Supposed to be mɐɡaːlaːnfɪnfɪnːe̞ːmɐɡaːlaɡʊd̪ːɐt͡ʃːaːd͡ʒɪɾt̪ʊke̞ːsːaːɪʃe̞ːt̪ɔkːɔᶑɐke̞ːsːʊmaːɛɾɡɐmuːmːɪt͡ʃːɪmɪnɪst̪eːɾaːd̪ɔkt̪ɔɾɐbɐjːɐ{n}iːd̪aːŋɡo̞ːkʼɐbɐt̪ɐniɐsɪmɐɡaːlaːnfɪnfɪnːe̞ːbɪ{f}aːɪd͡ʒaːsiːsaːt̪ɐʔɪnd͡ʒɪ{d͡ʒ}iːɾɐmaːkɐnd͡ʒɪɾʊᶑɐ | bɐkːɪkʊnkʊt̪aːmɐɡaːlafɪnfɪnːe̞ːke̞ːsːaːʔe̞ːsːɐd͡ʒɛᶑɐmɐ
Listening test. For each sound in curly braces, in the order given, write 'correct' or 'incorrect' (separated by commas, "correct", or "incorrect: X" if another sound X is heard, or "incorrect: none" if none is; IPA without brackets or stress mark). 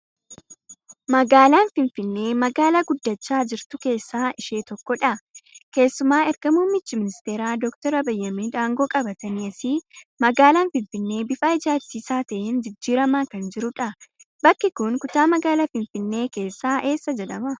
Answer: incorrect: m, correct, incorrect: d͡ʒː